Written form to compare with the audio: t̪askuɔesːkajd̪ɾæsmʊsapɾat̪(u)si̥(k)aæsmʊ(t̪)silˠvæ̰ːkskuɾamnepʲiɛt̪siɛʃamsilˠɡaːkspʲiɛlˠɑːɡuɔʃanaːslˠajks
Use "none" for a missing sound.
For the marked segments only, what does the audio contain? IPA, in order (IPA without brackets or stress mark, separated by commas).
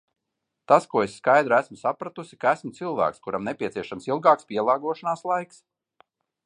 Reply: u, k, t̪